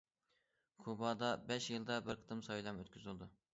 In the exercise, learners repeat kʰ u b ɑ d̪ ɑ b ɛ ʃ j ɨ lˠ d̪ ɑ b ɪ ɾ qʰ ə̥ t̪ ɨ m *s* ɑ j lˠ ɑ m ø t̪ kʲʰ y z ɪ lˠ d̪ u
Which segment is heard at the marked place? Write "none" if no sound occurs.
s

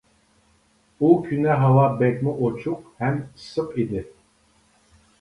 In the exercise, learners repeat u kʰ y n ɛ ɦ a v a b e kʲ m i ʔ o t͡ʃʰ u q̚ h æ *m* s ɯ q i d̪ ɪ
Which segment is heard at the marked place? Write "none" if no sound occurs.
m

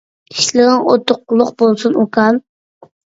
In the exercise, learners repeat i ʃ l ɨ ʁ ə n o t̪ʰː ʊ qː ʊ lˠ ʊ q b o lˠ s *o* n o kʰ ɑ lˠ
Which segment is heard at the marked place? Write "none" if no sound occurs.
u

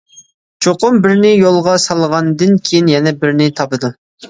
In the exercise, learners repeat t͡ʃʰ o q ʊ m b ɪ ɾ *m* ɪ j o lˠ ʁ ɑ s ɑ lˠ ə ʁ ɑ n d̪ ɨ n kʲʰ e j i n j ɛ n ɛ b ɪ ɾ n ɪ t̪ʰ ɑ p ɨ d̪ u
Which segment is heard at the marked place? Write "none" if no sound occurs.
n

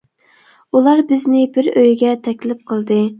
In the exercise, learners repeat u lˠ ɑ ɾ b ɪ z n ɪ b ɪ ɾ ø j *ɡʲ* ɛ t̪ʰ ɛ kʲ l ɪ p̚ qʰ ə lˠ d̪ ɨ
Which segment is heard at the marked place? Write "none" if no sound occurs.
ɡʲ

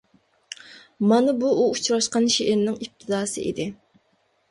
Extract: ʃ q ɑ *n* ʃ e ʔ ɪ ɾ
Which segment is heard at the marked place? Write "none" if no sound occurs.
n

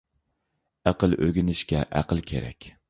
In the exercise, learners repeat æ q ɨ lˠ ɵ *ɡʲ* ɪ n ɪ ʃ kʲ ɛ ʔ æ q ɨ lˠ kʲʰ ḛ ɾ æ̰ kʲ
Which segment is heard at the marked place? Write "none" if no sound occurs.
ɡʲ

